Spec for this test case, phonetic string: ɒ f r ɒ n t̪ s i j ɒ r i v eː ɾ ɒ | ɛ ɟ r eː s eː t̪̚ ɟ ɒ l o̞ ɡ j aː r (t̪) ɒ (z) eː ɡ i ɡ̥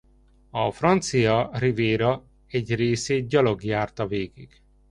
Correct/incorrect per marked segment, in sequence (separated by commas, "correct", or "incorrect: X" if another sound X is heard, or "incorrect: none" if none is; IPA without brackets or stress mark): correct, incorrect: v